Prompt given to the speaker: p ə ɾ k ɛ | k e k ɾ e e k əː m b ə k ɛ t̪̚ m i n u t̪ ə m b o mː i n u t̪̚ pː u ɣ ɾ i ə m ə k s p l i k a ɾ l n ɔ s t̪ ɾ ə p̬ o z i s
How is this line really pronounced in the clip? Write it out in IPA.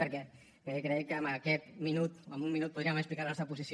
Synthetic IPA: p ə ɾ k ɛ | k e k ɾ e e k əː m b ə k ɛ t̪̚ m i n u t̪ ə m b u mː i n u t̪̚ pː u ð ɾ i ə m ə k s p l i k a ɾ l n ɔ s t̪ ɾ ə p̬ u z i s

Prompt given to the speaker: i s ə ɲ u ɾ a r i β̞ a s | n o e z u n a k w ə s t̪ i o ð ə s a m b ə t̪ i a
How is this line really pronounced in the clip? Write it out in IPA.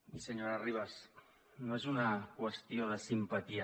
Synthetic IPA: i s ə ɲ o ɾ a r i β̞ a s | n o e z u n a k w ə s t̪ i o ð ə s i m p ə t̪ i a

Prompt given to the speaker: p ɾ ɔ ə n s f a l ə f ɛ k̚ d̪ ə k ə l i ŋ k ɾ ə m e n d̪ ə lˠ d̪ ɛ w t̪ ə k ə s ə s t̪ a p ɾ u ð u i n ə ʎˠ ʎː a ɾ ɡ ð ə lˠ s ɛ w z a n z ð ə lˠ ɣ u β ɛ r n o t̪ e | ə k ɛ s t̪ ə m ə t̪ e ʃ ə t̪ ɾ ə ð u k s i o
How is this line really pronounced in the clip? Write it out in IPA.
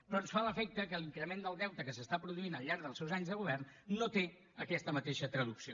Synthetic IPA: p ɾ ɔ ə n s f a l ə f ɛ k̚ t̪ ə k ə l i ŋ k ɾ ə m e n d̪ ə lˠ d̪ ɛ w t̪ ə k ə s ə s t̪ a p ɾ u ð u i n ə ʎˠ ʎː a ɾ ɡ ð ə lˠ s ɛ w z a ɲ z ð ə ɣ u β ɛ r nː o t̪ e | ə k ɛ s t̪ ə m ə t̪ e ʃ ə t̪ ɾ ə ð u k s i o

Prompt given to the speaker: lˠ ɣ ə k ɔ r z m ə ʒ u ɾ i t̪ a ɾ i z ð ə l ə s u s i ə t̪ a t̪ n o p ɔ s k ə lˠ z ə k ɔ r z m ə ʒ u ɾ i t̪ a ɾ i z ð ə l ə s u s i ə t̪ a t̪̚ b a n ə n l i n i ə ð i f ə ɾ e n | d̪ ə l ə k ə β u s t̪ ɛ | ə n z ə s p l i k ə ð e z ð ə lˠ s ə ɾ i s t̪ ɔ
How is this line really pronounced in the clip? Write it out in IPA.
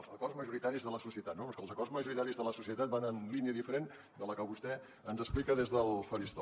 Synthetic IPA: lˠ z ə k ɔ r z m ə ʒ u ɾ i t̪ a ɾ i z ð ə l ə s u s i ə t̪ a t̪ n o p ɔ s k ə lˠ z ə k ɔ r z m ə ʒ u ɾ i t̪ a ɾ i z ð ə l ə s u s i ə t̪ a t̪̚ b a n ə n l i n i ə ð i f ə ɾ e n | d̪ ə l ə k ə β u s t̪ ɛ | ə n z ə s p l i k ə ð e z ð ə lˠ f ə ɾ i s t̪ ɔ

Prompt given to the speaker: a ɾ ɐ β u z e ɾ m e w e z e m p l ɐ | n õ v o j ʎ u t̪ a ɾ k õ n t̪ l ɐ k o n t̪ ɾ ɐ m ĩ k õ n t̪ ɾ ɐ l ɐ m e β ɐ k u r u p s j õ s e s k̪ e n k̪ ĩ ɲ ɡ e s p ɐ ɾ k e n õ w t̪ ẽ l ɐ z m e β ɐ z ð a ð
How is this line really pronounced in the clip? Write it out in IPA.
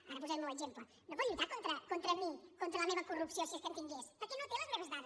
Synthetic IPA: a ɾ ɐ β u z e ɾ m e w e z e m p l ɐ | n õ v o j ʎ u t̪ a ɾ k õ n t̪ ɾ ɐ k o n t̪ ɾ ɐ m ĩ k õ n t̪ ɾ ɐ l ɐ m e β ɐ k u r u p s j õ s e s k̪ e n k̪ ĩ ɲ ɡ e s p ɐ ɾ k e n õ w t̪ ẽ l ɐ z m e β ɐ z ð a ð

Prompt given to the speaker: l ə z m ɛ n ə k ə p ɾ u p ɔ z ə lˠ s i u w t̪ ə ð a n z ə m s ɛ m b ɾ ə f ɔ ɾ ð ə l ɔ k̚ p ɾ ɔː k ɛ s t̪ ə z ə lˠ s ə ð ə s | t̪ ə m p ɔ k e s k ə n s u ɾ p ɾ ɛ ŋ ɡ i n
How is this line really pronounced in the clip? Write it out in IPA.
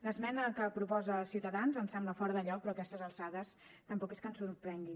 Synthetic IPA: l ə z m ɛ n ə k ə p ɾ u p ɔ z ə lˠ s i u w t̪ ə ð a n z ə m s ɛ m b l ə f ɔ ɾ ð ə ʎ ɔ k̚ p ɾ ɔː k ɛ s t̪ ə z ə lˠ s a ð ə s | t̪ ə m p ɔ k e s k ə n s u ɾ p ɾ ɛ ŋ ɡ i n

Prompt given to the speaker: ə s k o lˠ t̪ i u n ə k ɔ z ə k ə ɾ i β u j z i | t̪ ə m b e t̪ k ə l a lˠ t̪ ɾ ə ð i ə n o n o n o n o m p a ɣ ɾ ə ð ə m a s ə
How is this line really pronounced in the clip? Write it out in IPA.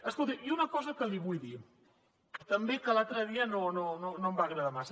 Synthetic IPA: ə s k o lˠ t̪ i u n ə k ɔ z ə k ə l i β u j ð i | t̪ ə m b e k ə l a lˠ t̪ ɾ ə ð i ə n o n o n o n o m b a ɣ ɾ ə ð a m a s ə

